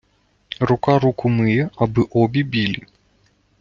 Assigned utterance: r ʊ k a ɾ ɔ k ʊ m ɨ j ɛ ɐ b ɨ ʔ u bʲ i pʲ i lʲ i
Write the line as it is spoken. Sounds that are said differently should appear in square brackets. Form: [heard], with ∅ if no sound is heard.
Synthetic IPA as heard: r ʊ k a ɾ [u] k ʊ m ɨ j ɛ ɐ b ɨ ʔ [ɔ] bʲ i [bʲ] i lʲ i